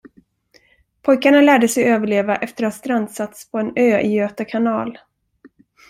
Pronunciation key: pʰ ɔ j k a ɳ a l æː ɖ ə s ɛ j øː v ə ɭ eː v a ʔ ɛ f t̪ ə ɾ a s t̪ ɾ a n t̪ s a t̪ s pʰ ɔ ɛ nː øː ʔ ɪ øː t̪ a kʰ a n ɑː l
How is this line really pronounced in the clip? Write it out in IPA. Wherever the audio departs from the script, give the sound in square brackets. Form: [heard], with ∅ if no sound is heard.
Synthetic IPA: pʰ ɔ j k a ɳ a l æː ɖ ə s ɛ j øː v ə ɭ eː v a ʔ ɛ f t̪ ə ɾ a s t̪ ɾ a n [d̪] s a t̪ s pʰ ɔ ɛ [n] øː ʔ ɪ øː t̪ a kʰ a n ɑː l